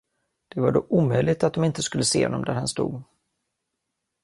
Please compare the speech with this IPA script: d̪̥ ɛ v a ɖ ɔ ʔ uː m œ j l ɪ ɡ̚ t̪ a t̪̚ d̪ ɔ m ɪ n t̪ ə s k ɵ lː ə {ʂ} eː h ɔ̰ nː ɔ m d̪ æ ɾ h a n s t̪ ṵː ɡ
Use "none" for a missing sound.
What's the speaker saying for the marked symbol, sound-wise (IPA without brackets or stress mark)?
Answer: s